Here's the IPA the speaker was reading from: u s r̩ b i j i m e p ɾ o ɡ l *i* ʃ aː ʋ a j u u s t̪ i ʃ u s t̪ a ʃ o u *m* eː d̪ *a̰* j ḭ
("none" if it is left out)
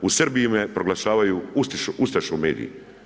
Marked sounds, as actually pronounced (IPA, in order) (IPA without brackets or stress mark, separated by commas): a, m, ḭ